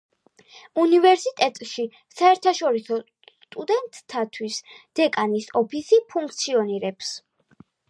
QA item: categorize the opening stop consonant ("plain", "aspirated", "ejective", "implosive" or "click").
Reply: ejective